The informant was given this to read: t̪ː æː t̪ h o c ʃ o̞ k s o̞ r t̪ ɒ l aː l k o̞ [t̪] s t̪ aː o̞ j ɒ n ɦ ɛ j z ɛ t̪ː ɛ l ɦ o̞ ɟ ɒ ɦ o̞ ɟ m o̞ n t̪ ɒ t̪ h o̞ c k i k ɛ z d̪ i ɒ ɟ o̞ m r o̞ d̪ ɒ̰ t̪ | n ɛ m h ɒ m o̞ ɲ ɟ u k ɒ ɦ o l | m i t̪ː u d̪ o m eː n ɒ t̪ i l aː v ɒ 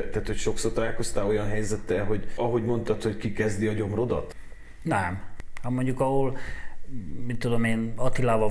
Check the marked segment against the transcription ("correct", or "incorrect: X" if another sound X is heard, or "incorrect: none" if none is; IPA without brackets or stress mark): incorrect: none